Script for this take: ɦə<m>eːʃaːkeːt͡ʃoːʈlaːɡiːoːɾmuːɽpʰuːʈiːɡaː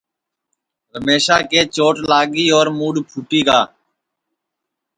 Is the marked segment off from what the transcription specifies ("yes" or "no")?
no